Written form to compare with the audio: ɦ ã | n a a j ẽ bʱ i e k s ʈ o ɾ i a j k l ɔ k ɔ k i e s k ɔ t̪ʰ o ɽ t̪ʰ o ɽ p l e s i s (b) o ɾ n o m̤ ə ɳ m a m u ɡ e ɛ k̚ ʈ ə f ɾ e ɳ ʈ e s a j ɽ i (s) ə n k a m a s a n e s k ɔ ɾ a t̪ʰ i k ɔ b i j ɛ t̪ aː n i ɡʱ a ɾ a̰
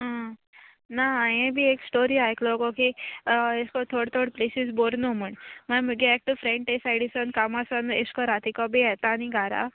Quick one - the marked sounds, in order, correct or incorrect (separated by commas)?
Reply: correct, correct